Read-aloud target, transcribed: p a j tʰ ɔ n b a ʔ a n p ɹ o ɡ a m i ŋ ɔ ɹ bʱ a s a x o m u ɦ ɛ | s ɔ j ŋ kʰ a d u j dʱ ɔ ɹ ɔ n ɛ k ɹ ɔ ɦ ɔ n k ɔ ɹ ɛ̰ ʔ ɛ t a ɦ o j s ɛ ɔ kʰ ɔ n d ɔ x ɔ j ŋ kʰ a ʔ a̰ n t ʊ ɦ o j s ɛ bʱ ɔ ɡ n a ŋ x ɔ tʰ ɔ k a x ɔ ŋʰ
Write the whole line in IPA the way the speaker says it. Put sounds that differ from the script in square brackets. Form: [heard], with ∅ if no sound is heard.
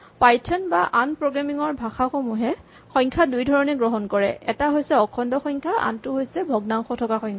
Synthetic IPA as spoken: p a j tʰ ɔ n b a ʔ a n p ɹ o ɡ a m i ŋ ɔ ɹ bʱ a [x] a x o m u ɦ ɛ | [x] ɔ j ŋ kʰ a d u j dʱ ɔ ɹ ɔ n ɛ [ɡ] ɹ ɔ ɦ ɔ n k ɔ ɹ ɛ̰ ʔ ɛ t a ɦ o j s ɛ ɔ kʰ ɔ n d ɔ x ɔ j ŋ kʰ a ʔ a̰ n t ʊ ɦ o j s ɛ bʱ ɔ ɡ n a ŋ x ɔ tʰ ɔ k a x ɔ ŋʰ

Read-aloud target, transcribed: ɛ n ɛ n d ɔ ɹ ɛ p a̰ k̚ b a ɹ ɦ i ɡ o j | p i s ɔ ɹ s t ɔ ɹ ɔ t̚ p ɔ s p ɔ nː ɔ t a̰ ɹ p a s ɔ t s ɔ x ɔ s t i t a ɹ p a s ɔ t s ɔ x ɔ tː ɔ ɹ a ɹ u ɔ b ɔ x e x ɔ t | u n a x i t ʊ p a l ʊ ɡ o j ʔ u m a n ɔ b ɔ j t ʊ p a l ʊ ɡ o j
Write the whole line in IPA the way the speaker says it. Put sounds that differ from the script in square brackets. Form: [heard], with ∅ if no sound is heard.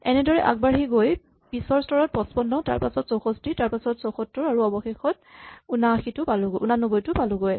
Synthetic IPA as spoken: ɛ n ɛ [∅] d ɔ ɹ ɛ [ʔ] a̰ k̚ b a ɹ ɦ i ɡ o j | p i s ɔ ɹ s t ɔ ɹ ɔ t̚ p ɔ s p ɔ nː ɔ t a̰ ɹ p a s ɔ t s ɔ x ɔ s t i t a ɹ p a s ɔ t s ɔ x ɔ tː ɔ ɹ a ɹ u ɔ b ɔ x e x ɔ t | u n a x i t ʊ p a l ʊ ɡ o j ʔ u [n] a n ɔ b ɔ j t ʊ p a l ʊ ɡ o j

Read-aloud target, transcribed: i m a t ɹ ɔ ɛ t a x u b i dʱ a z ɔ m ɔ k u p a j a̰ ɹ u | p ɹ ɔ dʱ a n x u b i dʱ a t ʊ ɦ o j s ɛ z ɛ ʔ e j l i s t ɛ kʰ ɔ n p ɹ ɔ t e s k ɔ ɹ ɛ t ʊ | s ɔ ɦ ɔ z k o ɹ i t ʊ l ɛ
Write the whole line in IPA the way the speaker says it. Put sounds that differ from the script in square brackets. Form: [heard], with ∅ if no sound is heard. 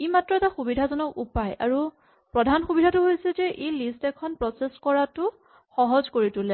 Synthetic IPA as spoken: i m a t ɹ ɔ ɛ t a x u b i dʱ a z ɔ [n] ɔ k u p a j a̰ ɹ u | p ɹ ɔ dʱ a n x u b i dʱ a t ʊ ɦ o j s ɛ z ɛ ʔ e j l i s t ɛ kʰ ɔ n p ɹ ɔ [s] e s k ɔ ɹ [a] t ʊ | [x] ɔ ɦ ɔ z k o ɹ i t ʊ l ɛ

